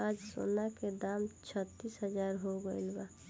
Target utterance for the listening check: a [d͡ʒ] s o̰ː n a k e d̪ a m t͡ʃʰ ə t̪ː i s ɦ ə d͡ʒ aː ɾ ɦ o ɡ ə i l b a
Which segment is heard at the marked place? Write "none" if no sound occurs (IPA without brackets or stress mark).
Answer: d͡ʒ